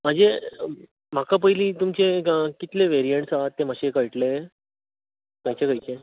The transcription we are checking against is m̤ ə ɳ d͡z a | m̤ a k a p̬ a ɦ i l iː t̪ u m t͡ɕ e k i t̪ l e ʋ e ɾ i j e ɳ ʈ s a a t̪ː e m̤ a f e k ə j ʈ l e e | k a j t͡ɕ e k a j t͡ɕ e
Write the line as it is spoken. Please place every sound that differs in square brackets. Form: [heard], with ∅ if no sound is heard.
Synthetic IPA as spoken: m̤ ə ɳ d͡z [e] | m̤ a k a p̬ [ə] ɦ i l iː t̪ u m t͡ɕ e k i t̪ l e ʋ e ɾ i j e ɳ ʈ s a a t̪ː e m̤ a [ɕ] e k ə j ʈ l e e | k a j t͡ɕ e k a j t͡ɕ e